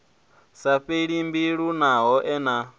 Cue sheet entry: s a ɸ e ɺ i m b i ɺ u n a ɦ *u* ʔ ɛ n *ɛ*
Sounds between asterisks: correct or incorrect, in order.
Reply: incorrect: ɔ, incorrect: a

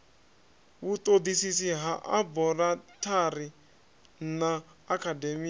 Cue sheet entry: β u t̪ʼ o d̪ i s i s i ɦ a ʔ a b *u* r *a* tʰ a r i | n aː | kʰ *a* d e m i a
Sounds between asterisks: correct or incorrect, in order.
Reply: incorrect: ɔ, correct, correct

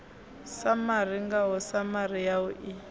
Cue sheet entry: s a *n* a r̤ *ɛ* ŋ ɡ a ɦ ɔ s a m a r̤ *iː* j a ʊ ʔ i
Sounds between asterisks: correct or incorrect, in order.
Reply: incorrect: m, incorrect: i, incorrect: i

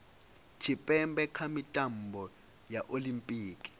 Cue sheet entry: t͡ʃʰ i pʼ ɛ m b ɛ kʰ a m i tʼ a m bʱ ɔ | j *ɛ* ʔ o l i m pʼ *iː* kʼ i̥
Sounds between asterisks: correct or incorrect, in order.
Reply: incorrect: a, correct

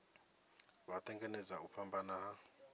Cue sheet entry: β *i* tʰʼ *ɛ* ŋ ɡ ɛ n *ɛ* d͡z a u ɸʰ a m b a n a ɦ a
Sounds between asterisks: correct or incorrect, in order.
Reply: incorrect: a, correct, correct

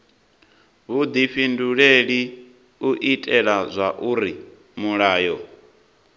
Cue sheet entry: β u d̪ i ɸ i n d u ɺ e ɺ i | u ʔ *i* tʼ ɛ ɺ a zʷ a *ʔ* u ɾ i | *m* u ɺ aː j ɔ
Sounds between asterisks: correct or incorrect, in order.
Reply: correct, correct, correct

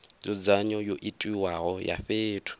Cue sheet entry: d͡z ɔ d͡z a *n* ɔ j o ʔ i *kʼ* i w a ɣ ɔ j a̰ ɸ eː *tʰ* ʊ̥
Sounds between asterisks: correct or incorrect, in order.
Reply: incorrect: ɲ, incorrect: tʼ, correct

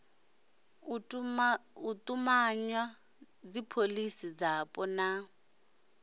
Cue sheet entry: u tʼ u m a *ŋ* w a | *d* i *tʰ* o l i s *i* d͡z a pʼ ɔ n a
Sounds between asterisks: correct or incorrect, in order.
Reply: incorrect: ɲ, incorrect: d͡z, incorrect: pʰ, correct

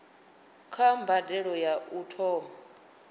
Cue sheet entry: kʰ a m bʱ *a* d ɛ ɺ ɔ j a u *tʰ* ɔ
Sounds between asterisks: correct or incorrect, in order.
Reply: correct, correct

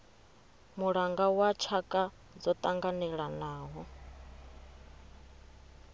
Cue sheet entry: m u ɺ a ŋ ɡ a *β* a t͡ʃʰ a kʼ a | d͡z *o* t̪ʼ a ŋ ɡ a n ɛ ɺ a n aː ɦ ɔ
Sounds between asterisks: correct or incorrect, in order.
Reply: incorrect: w, incorrect: ɔ

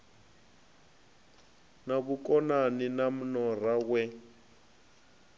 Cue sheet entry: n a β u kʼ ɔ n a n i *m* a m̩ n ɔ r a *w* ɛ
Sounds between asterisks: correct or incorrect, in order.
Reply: incorrect: n, correct

